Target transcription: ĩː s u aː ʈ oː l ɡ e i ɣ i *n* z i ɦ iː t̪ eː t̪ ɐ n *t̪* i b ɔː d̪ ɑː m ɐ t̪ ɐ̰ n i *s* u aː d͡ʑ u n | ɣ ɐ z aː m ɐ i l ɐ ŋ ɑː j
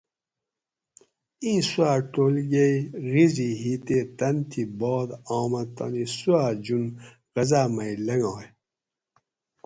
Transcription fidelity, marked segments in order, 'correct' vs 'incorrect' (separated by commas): incorrect, incorrect, correct